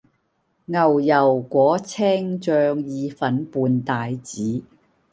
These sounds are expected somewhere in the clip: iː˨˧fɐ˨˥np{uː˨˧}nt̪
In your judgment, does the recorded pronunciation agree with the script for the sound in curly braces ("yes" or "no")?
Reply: yes